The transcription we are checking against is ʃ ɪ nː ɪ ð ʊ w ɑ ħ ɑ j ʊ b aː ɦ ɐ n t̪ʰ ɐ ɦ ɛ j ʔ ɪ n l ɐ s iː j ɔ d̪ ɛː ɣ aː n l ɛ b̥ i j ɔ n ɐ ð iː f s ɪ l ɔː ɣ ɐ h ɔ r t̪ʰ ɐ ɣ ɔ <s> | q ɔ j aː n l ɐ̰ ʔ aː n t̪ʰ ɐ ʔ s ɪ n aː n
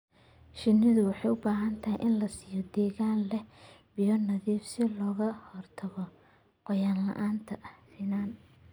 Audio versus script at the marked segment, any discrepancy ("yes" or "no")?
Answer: yes